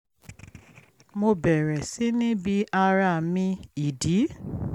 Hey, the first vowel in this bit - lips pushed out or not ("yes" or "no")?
yes